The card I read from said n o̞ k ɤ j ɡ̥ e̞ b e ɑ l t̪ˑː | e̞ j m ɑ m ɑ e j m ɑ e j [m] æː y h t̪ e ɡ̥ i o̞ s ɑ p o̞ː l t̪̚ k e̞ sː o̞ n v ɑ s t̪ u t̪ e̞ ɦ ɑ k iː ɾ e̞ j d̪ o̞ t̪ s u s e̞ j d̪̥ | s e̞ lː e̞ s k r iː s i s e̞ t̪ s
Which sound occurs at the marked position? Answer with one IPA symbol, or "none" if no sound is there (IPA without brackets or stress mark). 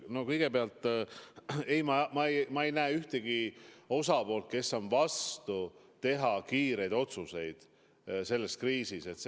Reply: n